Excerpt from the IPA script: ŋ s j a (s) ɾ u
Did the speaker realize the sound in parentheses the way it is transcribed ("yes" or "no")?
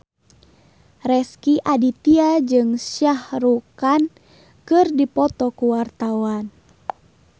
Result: no